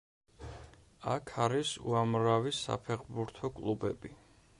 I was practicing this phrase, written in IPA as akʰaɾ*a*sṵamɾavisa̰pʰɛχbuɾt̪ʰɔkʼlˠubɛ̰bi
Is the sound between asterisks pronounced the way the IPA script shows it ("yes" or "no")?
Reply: no